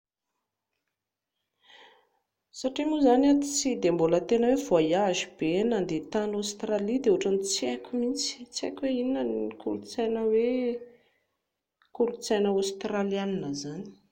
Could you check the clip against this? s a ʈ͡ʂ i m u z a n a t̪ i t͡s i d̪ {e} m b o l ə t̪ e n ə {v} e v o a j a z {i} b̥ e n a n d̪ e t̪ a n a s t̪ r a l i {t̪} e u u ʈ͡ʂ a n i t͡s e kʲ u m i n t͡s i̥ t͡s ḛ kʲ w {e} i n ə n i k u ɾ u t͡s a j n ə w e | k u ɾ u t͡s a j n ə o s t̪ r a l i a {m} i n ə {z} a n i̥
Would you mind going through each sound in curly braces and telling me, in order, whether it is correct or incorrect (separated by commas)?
correct, incorrect, correct, incorrect, correct, incorrect, correct